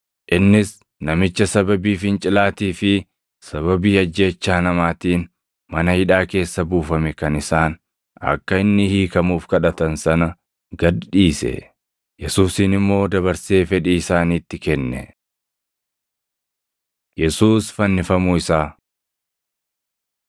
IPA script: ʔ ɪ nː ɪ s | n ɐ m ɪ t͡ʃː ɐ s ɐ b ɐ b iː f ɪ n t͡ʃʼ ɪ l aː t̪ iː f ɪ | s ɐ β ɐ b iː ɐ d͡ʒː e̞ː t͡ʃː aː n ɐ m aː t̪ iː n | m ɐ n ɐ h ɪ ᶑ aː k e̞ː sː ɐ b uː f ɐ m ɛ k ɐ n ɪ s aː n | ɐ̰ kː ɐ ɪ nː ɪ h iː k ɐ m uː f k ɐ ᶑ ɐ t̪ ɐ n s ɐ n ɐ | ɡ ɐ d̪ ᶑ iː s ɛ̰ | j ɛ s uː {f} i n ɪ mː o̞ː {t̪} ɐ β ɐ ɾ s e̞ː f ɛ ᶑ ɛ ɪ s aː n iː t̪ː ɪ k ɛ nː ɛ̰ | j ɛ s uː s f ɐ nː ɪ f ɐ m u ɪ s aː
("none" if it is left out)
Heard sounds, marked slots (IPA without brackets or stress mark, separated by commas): s, d̪